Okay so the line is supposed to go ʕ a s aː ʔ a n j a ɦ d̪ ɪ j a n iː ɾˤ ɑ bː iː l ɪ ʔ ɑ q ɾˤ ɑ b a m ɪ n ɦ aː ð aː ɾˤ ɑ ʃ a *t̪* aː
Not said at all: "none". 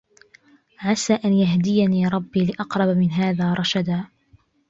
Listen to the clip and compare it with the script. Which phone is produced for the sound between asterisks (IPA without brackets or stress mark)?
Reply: d̪